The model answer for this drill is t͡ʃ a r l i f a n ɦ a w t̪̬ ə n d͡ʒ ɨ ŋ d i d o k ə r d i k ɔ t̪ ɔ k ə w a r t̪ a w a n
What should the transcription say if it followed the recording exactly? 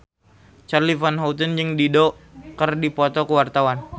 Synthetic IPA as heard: t͡ʃ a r l i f a n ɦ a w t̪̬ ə n d͡ʒ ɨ ŋ d i d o k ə r d i p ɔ t̪ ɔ k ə w a r t̪ a w a n